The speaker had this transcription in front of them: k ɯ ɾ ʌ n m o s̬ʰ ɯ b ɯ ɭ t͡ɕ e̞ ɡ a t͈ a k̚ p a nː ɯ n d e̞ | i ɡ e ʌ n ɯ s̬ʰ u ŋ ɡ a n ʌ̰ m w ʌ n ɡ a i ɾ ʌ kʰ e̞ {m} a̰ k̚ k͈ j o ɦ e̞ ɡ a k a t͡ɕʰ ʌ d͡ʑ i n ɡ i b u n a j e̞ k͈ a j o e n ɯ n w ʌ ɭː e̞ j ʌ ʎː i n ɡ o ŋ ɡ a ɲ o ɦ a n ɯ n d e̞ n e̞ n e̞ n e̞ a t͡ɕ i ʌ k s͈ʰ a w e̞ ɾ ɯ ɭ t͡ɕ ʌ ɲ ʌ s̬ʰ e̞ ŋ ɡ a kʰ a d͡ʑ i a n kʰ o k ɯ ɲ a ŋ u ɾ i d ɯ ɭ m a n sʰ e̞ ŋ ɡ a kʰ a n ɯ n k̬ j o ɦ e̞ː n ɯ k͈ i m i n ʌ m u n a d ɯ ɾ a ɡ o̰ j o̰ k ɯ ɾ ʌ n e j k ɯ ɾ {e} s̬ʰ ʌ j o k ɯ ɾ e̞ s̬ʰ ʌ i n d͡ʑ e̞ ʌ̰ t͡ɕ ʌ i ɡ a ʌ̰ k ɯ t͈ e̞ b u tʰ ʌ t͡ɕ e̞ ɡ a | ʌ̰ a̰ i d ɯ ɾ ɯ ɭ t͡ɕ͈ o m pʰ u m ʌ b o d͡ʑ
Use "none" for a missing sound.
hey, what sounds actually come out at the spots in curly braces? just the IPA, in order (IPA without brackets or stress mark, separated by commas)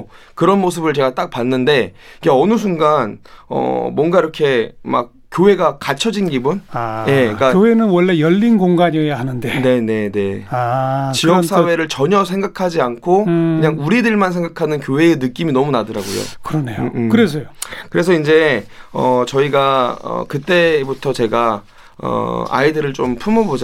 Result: m, e